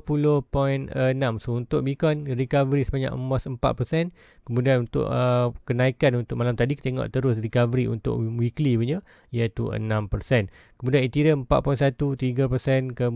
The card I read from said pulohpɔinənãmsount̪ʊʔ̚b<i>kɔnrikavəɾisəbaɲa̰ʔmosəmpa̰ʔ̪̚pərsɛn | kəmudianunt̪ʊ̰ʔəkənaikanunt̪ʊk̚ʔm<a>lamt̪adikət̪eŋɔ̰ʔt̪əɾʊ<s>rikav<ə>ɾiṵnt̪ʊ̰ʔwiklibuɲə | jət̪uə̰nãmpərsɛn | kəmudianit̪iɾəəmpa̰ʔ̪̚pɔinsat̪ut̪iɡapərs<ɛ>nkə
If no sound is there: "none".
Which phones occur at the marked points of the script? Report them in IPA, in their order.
i, a, s, ə, ɛ

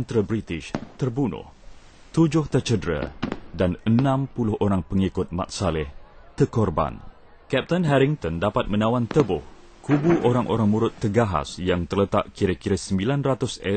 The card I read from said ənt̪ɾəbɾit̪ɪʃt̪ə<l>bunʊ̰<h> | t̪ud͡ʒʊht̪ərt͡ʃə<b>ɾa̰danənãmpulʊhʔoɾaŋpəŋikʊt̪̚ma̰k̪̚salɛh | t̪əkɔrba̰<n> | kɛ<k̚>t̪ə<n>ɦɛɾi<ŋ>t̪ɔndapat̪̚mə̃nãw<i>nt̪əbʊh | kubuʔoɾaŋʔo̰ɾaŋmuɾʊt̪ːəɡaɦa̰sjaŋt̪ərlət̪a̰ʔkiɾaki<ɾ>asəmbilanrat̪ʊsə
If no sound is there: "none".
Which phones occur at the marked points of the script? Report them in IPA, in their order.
r, h, d, n, p̚, n, ŋ, a, ɾ

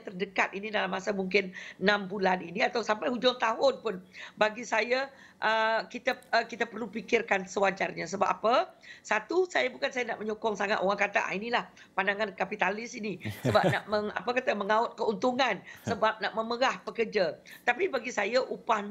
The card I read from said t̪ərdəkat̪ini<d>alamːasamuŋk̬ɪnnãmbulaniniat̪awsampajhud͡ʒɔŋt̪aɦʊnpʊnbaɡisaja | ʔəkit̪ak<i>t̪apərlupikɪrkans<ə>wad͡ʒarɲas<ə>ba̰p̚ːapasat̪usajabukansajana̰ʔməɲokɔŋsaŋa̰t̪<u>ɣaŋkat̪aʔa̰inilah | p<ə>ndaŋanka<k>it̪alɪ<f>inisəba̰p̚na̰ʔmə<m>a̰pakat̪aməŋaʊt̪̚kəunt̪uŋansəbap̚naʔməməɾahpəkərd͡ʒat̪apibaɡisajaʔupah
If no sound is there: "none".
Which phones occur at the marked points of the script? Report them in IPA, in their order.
d, i, ə, ə, o, a, p, s, ŋ

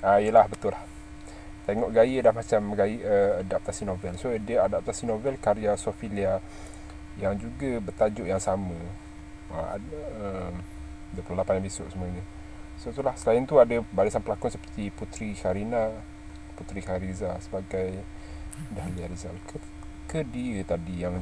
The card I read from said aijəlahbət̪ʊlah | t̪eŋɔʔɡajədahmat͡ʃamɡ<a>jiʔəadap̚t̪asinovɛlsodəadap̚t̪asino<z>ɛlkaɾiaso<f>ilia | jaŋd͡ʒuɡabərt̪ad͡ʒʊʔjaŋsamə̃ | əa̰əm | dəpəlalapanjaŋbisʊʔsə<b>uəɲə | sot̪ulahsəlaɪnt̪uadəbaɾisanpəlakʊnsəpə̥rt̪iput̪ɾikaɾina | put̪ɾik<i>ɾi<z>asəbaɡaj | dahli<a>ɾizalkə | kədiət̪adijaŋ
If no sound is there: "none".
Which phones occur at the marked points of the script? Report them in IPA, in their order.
a, v, f, m, a, z, a

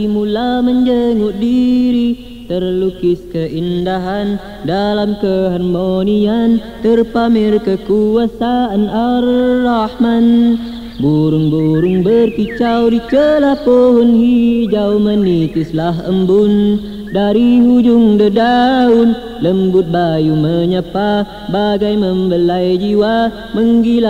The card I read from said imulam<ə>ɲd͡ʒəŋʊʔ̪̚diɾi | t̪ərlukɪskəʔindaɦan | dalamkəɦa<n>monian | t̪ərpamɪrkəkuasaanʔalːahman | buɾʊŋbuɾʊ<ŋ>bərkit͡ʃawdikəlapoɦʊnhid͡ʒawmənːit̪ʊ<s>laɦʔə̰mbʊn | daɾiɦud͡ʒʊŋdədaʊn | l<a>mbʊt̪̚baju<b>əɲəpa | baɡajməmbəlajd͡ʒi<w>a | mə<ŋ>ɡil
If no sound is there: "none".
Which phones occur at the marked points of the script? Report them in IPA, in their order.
ə, n, ŋ, s, ə, m, w, ŋ

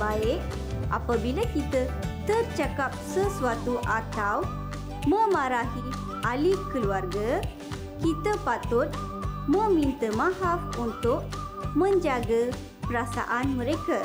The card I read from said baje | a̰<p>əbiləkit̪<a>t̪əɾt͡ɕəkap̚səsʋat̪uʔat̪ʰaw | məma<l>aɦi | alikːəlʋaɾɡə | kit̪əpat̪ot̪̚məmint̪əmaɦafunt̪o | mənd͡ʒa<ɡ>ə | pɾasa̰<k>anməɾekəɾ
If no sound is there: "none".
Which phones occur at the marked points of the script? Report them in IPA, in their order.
p, ə, ɾ, ɡ, ʔ

